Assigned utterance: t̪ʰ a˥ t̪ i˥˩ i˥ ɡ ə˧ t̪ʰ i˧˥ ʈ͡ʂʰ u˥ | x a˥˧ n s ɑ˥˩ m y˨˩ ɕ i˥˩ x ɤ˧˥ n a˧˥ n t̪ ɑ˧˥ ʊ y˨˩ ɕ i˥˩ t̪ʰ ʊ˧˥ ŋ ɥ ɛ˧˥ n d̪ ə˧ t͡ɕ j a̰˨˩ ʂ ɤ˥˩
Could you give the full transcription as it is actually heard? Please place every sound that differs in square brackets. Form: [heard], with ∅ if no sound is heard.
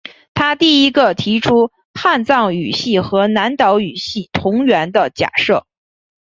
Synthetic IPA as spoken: t̪ʰ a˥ t̪ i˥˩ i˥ ɡ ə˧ t̪ʰ i˧˥ ʈ͡ʂʰ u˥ | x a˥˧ n [t͡s] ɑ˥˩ [ŋ] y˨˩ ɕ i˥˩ x ɤ˧˥ n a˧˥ n t̪ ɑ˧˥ ʊ y˨˩ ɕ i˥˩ t̪ʰ ʊ˧˥ ŋ ɥ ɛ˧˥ n d̪ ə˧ t͡ɕ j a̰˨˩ ʂ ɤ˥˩